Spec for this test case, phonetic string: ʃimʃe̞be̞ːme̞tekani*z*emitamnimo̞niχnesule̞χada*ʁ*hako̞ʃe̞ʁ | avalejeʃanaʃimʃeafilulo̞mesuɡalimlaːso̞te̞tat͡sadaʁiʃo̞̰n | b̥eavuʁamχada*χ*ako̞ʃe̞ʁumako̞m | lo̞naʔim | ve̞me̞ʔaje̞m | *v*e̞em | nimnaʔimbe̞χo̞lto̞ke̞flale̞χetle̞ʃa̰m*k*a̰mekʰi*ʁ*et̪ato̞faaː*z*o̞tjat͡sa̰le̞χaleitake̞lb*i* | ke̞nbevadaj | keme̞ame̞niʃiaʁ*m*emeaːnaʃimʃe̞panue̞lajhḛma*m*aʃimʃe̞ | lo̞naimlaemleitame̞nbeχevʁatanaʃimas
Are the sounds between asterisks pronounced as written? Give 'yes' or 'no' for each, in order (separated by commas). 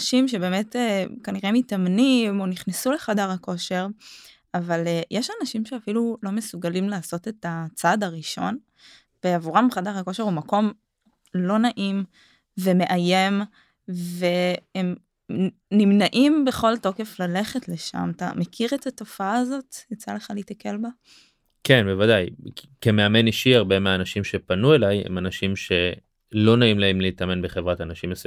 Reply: no, yes, no, yes, no, yes, yes, no, no, no